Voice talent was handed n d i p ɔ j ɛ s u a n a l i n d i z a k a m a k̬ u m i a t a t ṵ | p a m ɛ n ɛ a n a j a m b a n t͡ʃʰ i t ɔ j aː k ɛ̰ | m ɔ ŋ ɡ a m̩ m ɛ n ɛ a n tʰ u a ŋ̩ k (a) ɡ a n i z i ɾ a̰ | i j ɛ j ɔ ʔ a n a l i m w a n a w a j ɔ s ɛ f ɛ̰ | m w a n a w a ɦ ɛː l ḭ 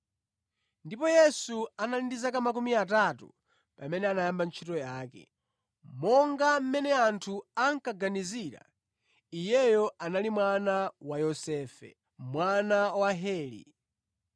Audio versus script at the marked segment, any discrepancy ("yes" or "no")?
no